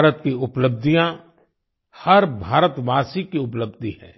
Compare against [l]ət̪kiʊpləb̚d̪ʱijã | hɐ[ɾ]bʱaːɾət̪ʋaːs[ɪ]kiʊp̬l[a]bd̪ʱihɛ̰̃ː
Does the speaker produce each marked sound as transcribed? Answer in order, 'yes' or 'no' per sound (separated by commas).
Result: no, yes, no, no